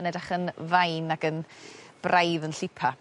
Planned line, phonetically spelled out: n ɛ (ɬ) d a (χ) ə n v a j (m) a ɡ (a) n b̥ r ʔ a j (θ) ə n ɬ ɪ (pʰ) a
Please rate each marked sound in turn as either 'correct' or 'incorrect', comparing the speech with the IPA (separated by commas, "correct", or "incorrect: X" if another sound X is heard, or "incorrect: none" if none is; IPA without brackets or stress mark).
incorrect: none, correct, incorrect: n, incorrect: ə, incorrect: ð, correct